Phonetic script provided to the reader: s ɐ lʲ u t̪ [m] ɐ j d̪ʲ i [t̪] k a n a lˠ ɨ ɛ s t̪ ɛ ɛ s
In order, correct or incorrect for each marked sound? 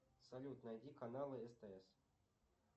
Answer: incorrect: n, incorrect: none

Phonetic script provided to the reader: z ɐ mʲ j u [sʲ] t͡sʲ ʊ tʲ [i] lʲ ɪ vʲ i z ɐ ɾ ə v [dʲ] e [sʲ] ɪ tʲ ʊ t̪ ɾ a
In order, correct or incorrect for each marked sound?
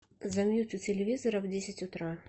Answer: incorrect: none, incorrect: ɪ, correct, correct

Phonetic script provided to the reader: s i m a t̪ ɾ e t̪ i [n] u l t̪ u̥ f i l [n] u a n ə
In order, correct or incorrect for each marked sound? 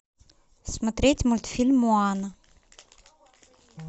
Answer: incorrect: m, incorrect: m

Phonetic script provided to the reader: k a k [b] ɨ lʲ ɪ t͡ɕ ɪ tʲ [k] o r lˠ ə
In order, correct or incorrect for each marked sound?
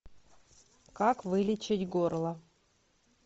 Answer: incorrect: v, incorrect: ɡ

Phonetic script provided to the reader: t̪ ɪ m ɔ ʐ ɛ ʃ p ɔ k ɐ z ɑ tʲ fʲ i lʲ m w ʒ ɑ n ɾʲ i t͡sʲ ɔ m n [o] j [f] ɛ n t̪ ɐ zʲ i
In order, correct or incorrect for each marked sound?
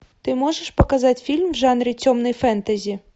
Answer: incorrect: ɔ, correct

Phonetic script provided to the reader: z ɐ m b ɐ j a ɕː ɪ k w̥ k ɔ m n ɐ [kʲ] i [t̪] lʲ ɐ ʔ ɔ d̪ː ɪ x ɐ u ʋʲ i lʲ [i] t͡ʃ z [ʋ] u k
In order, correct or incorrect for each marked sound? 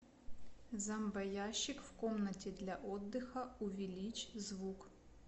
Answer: incorrect: tʲ, incorrect: d̪, correct, correct

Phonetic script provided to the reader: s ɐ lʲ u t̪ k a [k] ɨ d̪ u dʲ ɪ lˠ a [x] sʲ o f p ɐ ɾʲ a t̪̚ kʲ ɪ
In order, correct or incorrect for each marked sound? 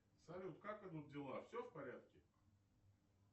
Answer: correct, incorrect: f

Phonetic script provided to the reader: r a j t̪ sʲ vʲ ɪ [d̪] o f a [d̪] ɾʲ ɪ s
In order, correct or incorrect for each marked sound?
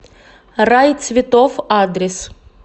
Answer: incorrect: t̪, correct

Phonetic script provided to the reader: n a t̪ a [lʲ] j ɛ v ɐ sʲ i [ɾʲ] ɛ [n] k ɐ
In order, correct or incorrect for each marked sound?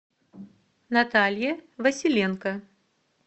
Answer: correct, incorrect: lʲ, correct

